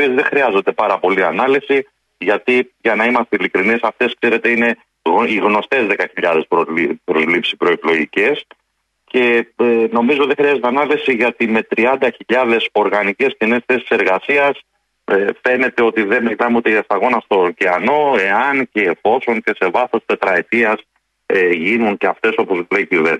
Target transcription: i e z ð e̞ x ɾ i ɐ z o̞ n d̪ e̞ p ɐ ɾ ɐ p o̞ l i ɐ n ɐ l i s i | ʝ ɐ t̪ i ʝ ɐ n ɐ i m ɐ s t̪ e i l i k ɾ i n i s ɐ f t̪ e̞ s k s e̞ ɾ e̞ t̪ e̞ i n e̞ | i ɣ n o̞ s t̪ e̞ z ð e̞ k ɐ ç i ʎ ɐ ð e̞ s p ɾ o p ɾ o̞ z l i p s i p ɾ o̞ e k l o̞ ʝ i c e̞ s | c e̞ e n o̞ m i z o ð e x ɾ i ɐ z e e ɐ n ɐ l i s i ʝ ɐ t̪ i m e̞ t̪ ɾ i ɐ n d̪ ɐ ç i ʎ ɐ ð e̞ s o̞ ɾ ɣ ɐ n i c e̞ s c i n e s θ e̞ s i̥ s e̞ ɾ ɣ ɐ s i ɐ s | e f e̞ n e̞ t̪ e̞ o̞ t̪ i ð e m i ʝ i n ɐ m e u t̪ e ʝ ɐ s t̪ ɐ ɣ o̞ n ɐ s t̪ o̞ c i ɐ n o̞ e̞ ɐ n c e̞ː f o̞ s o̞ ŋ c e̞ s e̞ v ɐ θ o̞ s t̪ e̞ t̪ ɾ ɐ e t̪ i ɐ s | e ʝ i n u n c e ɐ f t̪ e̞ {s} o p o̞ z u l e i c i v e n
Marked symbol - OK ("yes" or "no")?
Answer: yes